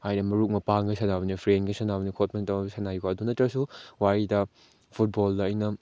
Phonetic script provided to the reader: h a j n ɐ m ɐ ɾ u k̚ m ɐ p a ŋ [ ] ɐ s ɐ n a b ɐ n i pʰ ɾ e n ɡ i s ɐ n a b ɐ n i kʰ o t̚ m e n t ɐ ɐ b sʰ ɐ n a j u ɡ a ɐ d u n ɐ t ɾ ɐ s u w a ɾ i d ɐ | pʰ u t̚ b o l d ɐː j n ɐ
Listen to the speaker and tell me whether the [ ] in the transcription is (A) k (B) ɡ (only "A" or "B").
B